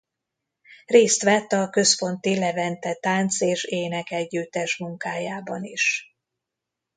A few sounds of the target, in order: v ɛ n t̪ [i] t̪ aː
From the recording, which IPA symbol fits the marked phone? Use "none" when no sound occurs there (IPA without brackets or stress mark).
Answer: ɛ